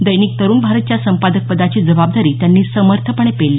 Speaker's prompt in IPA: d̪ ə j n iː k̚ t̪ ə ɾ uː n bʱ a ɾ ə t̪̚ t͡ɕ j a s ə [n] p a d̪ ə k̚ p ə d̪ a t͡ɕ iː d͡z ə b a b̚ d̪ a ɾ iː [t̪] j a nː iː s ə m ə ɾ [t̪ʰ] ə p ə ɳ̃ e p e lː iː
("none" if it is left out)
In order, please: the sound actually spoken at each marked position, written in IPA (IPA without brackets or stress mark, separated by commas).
m, t̪, t̪ʰ